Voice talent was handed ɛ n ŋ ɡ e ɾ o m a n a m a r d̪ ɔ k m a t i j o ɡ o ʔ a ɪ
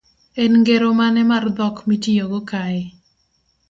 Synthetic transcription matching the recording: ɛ n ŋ ɡ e ɾ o m a n ɛ m a r d̪ ɔ k m i t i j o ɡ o k a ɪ